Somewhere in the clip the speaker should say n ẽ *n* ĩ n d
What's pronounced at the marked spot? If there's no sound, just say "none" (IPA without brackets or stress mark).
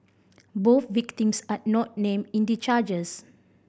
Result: m